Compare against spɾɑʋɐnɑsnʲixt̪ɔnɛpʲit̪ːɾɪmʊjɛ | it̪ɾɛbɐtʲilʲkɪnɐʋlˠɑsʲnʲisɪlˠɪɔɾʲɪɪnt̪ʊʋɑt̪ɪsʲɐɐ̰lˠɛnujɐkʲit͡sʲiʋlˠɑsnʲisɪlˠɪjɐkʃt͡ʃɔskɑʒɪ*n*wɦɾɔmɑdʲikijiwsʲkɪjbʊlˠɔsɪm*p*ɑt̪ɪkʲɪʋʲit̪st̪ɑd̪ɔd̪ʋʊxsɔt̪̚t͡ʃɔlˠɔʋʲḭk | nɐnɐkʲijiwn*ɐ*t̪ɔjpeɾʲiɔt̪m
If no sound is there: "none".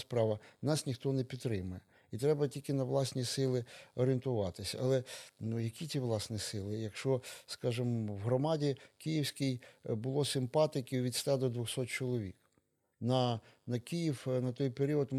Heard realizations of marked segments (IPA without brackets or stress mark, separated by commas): m, p, ɐ